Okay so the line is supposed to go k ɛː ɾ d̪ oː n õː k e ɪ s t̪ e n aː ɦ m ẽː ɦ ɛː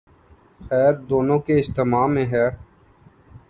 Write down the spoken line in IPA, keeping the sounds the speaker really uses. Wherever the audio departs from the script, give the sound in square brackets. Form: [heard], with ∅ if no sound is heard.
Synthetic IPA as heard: [x] ɛː ɾ d̪ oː n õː k e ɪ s t̪ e [m] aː [∅] m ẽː ɦ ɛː